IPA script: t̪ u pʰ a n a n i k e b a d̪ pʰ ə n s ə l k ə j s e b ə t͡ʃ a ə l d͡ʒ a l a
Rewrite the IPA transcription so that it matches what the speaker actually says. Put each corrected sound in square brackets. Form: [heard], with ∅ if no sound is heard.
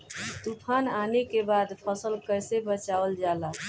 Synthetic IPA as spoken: t̪ u pʰ a n a n [e] k e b a d̪ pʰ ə [∅] s ə l k ə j s e b ə t͡ʃ a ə l d͡ʒ a l a